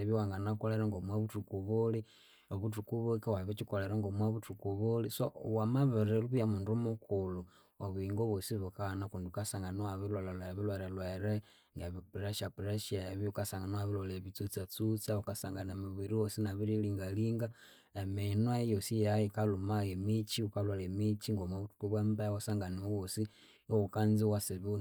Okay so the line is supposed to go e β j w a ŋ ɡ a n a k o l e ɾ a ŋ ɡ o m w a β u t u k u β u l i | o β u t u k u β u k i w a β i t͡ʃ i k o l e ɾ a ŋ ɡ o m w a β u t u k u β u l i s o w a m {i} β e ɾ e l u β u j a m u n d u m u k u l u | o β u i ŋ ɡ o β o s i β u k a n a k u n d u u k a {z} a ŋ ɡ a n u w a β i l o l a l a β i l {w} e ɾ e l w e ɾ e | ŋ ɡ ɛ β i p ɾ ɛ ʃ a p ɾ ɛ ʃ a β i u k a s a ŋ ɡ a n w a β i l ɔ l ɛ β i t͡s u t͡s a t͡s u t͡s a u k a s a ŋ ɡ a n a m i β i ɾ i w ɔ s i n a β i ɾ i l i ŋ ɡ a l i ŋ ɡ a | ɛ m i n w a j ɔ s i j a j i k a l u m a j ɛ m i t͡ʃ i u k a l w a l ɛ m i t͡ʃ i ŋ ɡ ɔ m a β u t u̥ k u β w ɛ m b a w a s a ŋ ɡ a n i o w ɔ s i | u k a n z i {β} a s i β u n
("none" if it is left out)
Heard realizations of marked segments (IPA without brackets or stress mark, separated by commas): a, s, w, w